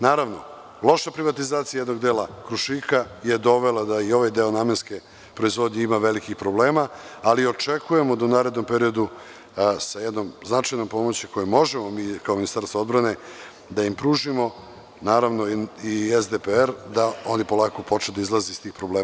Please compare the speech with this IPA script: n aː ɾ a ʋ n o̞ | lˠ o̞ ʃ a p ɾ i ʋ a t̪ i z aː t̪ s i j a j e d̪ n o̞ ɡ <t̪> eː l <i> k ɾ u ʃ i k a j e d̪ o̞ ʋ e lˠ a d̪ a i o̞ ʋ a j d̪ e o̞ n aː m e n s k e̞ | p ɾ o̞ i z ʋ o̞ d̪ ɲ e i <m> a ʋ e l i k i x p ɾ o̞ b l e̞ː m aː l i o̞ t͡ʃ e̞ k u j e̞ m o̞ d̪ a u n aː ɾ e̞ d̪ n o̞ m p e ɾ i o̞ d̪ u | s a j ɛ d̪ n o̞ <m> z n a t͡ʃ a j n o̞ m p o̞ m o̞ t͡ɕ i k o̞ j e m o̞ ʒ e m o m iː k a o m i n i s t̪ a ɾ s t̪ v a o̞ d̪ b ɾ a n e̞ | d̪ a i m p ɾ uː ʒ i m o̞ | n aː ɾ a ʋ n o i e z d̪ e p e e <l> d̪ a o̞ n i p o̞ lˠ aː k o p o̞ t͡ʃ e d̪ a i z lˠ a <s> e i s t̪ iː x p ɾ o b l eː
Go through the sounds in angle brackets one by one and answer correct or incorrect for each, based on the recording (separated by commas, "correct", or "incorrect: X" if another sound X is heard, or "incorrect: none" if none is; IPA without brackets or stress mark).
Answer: incorrect: d̪, incorrect: a, correct, correct, incorrect: ɾ, incorrect: z